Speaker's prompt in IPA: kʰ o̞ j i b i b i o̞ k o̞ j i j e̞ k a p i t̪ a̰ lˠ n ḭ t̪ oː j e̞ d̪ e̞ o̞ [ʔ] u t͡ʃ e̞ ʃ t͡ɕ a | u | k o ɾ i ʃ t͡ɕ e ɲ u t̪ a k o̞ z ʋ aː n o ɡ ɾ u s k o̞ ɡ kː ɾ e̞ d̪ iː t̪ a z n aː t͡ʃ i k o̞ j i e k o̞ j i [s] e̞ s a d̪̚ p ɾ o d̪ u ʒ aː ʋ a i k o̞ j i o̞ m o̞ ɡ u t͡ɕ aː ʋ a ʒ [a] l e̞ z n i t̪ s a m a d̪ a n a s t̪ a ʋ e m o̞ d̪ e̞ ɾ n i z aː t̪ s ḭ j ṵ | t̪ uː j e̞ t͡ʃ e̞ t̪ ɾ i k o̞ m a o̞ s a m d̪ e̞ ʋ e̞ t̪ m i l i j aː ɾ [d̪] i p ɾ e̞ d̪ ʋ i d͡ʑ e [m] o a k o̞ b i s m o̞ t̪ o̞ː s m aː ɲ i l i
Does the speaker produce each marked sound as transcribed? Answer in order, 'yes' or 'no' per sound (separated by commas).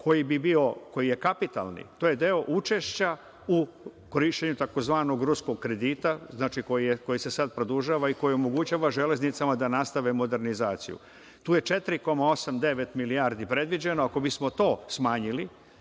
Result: yes, yes, no, yes, no